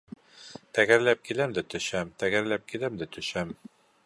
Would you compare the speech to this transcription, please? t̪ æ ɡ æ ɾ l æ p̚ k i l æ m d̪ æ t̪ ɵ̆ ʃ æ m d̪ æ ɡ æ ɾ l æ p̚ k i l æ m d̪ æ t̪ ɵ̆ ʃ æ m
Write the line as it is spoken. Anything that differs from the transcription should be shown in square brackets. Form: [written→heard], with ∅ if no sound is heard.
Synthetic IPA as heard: t̪ æ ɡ æ ɾ l æ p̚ k i l æ m d̪ æ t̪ ɵ̆ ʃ æ m [d̪→t̪] æ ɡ æ ɾ l æ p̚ k i l æ m d̪ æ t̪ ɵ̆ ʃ æ m